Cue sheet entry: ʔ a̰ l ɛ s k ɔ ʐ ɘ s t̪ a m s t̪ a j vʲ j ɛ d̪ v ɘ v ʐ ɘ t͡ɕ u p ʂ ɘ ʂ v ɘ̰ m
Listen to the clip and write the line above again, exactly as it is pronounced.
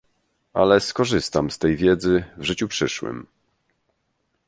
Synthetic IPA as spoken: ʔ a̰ l ɛ s k ɔ ʐ ɘ s t̪ a m s t̪ ɛ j vʲ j ɛ d̪ z ɘ v ʐ ɘ t͡ɕ u p ʂ ɘ ʂ w ɘ̰ m

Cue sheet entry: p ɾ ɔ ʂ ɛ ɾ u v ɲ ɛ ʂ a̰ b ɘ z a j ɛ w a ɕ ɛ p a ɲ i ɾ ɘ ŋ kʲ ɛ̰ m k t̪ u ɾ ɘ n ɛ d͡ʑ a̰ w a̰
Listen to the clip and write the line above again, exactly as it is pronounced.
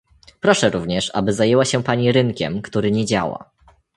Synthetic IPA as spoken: p ɾ ɔ ʂ ɛ ɾ u v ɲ ɛ ʂ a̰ b ɘ z a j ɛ w a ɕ ɛ p a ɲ i ɾ ɘ ŋ kʲ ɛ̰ m k t̪ u ɾ ɘ ɲ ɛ d͡ʑ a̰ w a̰

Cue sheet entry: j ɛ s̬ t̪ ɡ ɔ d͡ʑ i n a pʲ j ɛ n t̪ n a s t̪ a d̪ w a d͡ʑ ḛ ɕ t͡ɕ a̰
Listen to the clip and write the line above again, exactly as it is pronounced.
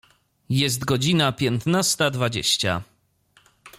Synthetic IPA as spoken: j ɛ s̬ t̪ ɡ ɔ d͡ʑ i n a pʲ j ɛ n t̪ n a s t̪ a d̪ v a d͡ʑ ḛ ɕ t͡ɕ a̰

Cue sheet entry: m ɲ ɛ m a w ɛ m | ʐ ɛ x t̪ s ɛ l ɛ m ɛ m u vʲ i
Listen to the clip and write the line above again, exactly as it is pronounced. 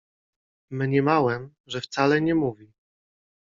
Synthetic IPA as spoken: m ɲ ɛ m a w ɛ m | ʐ ɛ f t̪ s a l ɛ ɲ ɛ m u vʲ i

